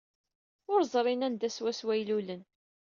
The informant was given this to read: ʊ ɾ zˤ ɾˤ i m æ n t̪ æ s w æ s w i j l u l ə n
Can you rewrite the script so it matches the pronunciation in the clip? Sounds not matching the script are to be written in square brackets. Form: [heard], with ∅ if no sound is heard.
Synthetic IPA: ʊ ɾ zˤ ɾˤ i [n] æ n [d̪] æ s w æ s w [æ] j l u l ə n